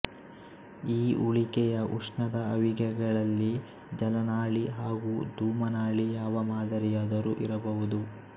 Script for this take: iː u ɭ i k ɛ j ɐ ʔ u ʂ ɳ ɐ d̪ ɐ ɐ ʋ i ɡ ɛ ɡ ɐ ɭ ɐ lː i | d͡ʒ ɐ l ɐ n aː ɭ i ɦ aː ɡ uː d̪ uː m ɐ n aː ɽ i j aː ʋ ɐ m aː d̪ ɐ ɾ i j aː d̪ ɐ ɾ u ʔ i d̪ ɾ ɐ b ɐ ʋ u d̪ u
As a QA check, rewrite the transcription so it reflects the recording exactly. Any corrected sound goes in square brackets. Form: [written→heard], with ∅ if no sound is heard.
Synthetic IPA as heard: iː u ɭ i k ɛ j ɐ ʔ u ʂ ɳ ɐ d̪ ɐ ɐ ʋ i ɡ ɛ ɡ ɐ ɭ ɐ lː i | d͡ʒ ɐ l ɐ n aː ɭ i ɦ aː ɡ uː d̪ uː m ɐ n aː [ɽ→ɭ] i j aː ʋ ɐ m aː d̪ ɐ ɾ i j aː d̪ ɐ ɾ u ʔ i [d̪→∅] ɾ ɐ b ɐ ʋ u d̪ u

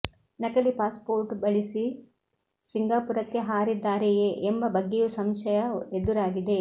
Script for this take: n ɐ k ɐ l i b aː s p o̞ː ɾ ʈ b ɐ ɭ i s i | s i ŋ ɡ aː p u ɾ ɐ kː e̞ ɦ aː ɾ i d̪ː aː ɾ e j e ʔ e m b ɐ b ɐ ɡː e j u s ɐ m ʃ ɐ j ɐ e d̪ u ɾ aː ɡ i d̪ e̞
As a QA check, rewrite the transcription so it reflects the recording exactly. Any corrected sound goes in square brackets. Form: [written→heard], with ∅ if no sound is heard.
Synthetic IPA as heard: n ɐ k ɐ l i [b→p] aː s p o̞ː ɾ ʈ b ɐ ɭ i s i | s i ŋ ɡ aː p u ɾ ɐ kː e̞ ɦ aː ɾ i d̪ː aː ɾ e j e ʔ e m b ɐ b ɐ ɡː e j u s ɐ m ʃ ɐ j ɐ e d̪ u ɾ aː ɡ i d̪ e̞

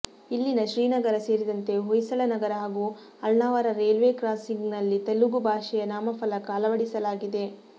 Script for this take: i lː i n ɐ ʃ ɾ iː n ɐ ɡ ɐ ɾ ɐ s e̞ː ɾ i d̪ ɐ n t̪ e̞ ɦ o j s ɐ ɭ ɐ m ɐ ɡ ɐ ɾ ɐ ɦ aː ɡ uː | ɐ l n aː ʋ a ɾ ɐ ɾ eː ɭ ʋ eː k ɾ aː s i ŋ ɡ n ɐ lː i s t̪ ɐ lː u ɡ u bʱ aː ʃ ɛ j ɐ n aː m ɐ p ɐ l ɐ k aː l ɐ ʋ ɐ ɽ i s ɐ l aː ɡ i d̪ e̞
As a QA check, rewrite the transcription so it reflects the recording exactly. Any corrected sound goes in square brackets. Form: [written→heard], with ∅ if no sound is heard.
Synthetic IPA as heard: i lː i n ɐ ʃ ɾ iː n ɐ ɡ ɐ ɾ ɐ s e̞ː ɾ i d̪ ɐ n t̪ e̞ ɦ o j s ɐ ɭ ɐ [m→n] ɐ ɡ ɐ ɾ ɐ ɦ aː ɡ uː | ɐ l n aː ʋ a ɾ ɐ ɾ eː [ɭ→l] ʋ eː k ɾ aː s i ŋ ɡ n ɐ lː i [s→∅] t̪ ɐ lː u ɡ u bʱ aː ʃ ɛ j ɐ n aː m ɐ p ɐ l ɐ k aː l ɐ ʋ ɐ ɽ i s ɐ l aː ɡ i d̪ e̞

